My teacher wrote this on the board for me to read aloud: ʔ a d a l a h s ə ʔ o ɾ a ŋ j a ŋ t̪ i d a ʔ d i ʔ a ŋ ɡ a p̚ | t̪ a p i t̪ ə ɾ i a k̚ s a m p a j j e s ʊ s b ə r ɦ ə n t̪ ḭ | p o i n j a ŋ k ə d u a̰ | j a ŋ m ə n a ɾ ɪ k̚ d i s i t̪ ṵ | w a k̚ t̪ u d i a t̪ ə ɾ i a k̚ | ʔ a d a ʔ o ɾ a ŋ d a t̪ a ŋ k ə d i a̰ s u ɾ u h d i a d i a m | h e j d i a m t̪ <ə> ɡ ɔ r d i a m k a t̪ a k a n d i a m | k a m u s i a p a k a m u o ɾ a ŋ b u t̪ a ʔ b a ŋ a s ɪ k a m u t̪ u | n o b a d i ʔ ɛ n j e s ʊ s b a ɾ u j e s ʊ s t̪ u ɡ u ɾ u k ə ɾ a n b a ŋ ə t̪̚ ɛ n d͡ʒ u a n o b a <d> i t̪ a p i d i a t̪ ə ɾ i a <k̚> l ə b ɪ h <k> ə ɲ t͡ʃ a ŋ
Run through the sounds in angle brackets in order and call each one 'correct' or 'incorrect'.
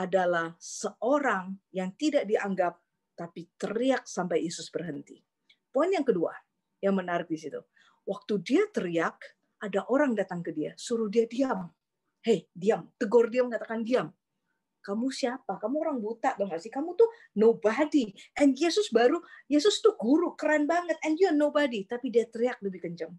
correct, correct, correct, correct

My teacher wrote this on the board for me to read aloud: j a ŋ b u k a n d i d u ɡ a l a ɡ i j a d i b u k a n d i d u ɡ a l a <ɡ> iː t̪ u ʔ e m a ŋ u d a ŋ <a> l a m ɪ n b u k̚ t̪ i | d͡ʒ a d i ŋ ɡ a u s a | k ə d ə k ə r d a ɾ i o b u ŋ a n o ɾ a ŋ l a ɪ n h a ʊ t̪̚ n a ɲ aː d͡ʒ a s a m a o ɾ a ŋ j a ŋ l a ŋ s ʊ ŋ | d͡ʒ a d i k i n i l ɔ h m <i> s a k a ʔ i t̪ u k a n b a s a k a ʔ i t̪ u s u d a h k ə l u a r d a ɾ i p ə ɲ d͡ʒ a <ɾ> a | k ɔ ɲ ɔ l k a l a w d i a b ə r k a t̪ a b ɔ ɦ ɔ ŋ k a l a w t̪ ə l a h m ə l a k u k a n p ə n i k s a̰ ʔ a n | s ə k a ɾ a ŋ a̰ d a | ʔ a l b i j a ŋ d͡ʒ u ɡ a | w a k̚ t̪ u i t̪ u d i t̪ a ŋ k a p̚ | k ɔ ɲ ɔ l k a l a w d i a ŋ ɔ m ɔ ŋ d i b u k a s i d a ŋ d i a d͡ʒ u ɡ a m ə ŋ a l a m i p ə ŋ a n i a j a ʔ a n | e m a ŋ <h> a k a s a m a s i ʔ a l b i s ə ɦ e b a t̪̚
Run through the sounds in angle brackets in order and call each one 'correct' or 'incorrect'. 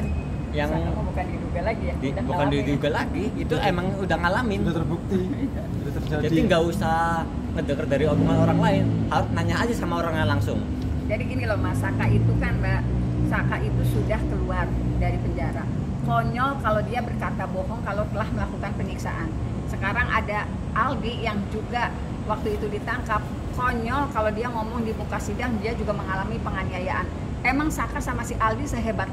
correct, correct, incorrect: a, correct, incorrect: s

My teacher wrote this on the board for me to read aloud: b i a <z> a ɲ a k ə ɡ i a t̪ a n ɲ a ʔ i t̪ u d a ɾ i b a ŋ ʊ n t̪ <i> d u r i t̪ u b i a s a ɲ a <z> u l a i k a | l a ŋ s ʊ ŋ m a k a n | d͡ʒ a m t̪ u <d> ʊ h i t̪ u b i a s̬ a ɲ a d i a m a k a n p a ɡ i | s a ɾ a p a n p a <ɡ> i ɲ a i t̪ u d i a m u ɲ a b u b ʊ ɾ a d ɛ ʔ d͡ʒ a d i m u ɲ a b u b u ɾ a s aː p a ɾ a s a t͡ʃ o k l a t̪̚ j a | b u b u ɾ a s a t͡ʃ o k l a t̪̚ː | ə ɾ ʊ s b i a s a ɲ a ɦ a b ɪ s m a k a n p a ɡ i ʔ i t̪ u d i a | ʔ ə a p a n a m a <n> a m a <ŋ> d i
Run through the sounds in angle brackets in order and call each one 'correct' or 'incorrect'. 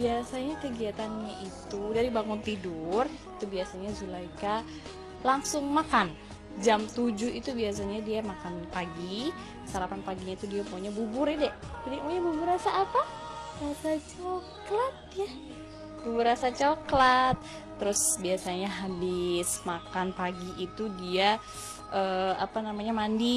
incorrect: s, correct, correct, incorrect: d͡ʒ, correct, incorrect: ɲ, incorrect: n

